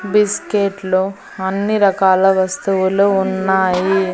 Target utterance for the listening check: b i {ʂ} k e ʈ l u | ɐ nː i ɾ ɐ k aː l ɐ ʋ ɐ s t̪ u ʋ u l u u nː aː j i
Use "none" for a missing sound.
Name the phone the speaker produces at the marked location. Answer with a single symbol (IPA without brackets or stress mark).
s